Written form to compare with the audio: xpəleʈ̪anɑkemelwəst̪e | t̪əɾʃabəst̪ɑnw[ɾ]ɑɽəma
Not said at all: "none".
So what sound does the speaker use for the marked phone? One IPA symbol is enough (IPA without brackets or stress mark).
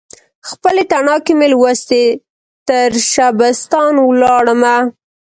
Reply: l